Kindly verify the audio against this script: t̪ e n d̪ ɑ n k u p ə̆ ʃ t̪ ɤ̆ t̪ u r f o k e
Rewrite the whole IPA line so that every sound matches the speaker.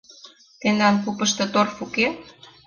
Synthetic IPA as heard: t̪ e n d̪ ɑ n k u p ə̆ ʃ t̪ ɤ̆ t̪ o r f u k e

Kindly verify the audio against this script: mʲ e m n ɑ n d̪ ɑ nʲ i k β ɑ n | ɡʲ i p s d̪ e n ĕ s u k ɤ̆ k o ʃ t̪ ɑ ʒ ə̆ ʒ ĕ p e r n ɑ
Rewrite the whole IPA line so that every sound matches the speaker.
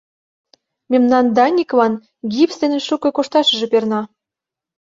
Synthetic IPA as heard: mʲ e m n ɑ n d̪ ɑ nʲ i k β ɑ n | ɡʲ i p s d̪ e n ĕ ʃ u k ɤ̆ k o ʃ t̪ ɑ ʃ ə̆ ʒ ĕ p e r n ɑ

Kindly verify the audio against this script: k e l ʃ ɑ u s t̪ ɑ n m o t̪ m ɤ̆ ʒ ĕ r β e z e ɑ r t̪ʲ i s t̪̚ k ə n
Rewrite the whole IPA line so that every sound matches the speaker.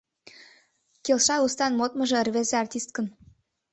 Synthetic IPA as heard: k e l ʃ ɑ u s t̪ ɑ n m o t̪ m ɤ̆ ʒ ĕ r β e z e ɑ r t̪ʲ i s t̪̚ k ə n

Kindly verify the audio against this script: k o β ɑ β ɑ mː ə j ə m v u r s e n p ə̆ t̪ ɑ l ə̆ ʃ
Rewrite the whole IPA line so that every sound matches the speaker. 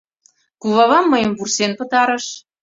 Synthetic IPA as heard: k u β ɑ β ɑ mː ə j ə m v u r s e n p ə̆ t̪ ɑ ɾ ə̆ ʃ

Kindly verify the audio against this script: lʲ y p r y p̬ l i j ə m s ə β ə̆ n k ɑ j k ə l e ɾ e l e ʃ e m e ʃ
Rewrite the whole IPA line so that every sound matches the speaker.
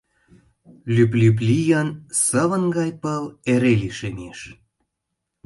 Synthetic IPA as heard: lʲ y p l y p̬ l i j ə n s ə β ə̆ n ɡ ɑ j p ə l e ɾ e l i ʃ e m e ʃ

